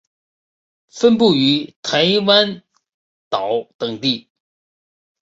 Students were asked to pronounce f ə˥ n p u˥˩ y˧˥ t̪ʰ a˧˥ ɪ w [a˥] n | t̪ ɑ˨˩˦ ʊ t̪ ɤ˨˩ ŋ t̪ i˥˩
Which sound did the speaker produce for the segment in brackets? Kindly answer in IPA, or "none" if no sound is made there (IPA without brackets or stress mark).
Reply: a˥